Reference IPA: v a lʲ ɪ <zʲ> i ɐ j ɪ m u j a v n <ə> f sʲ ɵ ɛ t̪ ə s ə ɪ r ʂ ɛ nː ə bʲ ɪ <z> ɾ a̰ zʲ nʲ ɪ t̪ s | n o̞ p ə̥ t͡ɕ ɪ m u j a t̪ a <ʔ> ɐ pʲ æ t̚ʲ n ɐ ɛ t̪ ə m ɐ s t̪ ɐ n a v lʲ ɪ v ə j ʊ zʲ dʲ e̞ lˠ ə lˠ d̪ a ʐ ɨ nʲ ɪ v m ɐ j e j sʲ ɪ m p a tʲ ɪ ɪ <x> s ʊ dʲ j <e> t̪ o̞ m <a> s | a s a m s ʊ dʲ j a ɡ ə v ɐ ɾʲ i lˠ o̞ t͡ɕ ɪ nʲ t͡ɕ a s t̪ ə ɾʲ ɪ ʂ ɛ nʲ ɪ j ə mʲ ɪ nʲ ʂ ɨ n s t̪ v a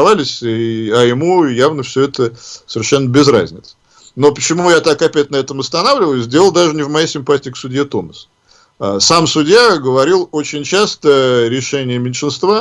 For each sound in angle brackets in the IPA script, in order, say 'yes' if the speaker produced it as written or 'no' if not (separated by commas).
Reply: no, yes, yes, no, no, yes, no